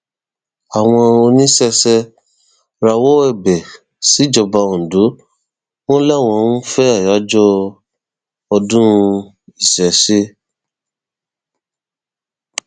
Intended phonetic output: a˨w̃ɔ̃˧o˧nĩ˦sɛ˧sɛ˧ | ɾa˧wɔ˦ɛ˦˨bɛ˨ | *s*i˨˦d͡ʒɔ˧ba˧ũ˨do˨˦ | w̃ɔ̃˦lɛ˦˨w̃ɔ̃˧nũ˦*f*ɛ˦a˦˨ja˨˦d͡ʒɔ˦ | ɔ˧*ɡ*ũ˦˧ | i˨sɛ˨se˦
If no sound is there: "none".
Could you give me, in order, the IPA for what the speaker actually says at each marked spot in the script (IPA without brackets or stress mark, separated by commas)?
s, f, d